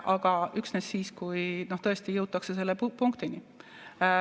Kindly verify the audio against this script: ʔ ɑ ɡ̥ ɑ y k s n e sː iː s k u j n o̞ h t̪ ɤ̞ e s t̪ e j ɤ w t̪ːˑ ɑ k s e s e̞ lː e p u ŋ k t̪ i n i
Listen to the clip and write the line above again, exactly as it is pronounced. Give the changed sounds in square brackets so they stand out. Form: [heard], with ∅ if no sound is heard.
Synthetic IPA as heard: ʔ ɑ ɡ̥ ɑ y k s n e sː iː s k u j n o̞ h t̪ ɤ̞ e s t̪ [i] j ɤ w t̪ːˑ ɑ k s e s e̞ lː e p u ŋ k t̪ i n i